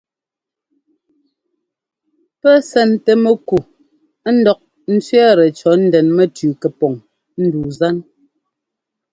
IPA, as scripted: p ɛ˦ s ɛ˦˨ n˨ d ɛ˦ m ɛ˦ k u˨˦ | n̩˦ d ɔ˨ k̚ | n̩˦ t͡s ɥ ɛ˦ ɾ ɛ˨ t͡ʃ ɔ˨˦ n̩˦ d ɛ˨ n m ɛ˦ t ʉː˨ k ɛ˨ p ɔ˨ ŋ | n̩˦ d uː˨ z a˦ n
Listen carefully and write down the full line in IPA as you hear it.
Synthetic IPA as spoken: p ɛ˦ s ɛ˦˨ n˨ t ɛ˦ m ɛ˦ k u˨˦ | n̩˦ d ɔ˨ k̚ | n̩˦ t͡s ɥ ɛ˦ ɾ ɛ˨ t͡ʃ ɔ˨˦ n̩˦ d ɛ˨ n m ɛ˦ t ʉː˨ k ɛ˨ p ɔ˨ ŋ | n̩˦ d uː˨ z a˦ n